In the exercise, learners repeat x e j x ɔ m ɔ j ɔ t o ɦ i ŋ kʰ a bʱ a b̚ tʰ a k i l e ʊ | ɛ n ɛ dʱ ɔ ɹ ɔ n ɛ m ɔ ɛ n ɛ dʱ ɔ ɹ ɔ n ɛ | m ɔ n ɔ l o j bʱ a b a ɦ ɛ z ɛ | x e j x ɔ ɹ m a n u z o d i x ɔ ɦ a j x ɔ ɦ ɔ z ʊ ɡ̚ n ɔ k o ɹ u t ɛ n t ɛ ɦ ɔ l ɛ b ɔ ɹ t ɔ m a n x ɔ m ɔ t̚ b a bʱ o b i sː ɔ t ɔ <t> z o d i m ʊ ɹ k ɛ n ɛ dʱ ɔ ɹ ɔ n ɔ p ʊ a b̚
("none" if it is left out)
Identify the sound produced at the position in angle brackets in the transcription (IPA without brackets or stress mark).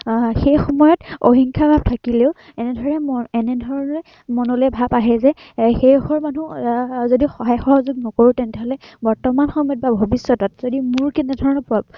t